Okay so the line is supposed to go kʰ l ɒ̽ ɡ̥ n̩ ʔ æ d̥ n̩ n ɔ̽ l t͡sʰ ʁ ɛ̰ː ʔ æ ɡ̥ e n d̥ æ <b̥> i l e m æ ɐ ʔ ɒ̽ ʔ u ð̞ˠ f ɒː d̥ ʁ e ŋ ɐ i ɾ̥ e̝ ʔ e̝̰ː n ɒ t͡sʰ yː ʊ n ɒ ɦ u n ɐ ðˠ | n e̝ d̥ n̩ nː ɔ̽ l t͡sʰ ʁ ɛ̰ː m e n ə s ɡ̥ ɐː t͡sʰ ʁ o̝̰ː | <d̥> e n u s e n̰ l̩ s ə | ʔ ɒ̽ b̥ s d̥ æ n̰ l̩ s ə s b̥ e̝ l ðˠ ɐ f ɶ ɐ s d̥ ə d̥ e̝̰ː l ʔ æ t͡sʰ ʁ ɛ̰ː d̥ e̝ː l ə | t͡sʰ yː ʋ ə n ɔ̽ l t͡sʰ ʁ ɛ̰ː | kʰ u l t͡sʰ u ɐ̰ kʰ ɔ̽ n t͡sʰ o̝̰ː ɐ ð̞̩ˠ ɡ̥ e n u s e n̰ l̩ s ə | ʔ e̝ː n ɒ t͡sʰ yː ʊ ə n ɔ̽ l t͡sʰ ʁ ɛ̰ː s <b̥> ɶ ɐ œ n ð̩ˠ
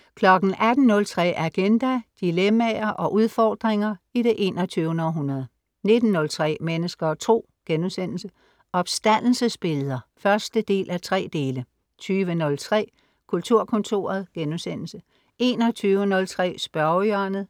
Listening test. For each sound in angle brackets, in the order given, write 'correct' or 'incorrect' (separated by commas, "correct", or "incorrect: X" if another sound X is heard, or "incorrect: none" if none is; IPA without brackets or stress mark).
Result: incorrect: d̥, incorrect: ɡ̥, correct